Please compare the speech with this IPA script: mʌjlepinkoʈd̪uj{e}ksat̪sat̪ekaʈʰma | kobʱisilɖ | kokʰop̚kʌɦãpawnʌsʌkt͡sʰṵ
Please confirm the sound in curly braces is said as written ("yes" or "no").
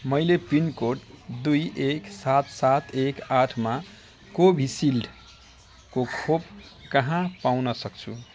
yes